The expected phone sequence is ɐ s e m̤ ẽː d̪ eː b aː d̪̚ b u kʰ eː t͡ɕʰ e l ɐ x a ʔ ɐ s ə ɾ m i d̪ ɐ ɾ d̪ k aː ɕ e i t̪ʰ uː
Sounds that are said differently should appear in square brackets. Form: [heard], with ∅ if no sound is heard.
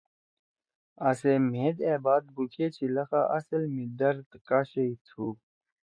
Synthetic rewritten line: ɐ s e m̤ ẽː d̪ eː b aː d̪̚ b u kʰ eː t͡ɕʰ [i] l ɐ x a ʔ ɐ s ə [l] m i d̪ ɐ ɾ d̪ k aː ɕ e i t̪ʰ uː